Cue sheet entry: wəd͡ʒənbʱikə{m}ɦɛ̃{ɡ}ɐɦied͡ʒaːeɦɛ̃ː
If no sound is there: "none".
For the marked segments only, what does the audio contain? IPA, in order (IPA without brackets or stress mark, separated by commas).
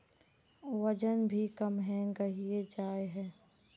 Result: m, ɡ